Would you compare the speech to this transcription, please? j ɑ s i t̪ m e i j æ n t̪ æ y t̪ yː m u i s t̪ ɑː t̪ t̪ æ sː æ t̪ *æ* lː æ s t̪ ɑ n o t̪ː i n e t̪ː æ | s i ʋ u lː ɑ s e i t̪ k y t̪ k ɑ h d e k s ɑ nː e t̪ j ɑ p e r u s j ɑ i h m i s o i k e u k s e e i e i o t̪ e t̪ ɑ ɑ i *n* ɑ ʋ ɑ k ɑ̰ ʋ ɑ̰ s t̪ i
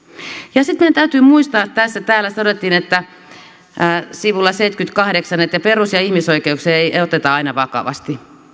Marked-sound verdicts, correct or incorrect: incorrect: æː, correct

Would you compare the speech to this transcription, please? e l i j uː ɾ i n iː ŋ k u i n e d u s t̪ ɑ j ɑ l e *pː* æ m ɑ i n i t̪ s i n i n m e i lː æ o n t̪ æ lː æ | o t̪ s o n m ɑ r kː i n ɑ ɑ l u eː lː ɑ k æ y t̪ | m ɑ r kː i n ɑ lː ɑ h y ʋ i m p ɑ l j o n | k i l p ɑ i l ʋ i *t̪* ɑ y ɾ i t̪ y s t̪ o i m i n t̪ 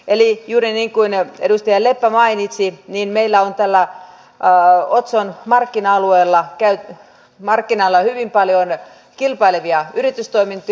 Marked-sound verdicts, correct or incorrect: correct, incorrect: none

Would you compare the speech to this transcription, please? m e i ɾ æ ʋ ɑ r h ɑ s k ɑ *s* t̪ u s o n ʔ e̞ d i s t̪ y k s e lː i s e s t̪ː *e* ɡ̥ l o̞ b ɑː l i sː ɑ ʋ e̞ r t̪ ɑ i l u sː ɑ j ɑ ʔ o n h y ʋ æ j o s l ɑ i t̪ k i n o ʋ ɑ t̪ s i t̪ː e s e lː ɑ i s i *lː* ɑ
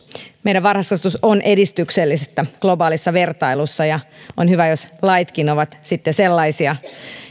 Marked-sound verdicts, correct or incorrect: correct, incorrect: æ, incorrect: none

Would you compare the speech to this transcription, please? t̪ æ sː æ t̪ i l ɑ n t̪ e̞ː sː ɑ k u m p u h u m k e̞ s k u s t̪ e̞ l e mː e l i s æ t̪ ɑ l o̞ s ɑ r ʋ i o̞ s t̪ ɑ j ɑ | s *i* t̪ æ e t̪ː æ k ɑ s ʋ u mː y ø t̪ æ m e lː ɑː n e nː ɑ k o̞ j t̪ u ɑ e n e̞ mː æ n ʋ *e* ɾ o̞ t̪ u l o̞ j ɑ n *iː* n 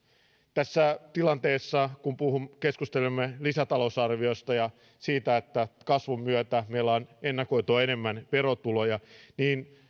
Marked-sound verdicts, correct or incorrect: incorrect: iː, correct, correct

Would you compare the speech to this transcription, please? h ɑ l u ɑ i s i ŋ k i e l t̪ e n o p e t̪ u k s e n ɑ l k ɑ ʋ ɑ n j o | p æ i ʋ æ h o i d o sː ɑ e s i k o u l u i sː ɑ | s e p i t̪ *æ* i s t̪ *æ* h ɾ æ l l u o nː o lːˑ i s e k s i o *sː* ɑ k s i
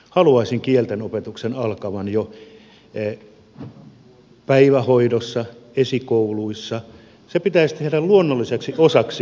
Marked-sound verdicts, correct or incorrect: correct, incorrect: e, incorrect: s

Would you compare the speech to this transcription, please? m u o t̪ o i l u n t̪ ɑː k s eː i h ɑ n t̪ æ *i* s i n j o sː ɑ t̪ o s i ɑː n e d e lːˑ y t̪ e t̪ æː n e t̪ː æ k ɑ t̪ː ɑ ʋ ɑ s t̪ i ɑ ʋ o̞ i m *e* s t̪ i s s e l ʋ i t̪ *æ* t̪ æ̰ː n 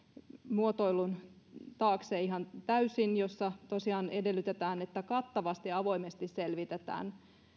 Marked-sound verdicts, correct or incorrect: incorrect: y, correct, incorrect: e

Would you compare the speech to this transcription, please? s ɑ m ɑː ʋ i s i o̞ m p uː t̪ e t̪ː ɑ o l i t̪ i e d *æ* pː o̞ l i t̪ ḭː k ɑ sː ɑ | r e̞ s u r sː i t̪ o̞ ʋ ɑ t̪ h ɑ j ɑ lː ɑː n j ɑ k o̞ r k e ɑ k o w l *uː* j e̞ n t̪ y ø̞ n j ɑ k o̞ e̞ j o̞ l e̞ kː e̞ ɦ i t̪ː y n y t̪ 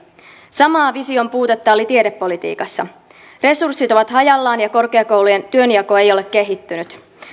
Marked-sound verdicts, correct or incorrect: incorrect: e, incorrect: u

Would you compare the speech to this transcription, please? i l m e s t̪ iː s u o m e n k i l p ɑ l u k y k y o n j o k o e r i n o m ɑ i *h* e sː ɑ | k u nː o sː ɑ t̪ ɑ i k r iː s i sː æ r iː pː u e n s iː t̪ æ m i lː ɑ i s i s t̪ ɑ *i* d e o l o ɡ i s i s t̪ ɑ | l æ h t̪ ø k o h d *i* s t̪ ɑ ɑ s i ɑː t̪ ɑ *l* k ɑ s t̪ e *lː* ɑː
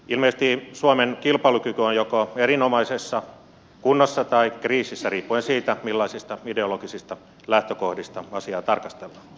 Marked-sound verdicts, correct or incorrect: incorrect: s, correct, correct, incorrect: r, correct

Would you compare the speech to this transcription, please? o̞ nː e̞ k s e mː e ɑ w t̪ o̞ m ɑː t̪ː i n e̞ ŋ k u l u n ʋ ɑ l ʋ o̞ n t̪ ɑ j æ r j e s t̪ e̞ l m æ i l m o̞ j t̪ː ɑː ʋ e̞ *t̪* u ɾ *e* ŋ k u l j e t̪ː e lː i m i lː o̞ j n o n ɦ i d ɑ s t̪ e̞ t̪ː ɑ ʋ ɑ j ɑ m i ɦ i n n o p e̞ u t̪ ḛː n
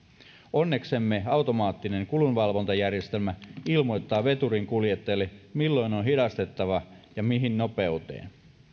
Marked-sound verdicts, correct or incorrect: correct, incorrect: i

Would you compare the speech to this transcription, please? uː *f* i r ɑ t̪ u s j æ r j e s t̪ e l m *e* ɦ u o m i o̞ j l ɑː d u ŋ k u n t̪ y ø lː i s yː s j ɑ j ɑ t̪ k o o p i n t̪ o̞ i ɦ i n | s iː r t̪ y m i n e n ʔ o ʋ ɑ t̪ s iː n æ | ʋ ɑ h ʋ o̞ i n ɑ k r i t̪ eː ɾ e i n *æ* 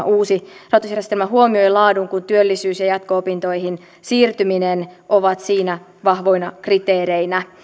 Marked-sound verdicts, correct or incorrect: incorrect: s, incorrect: æ, correct

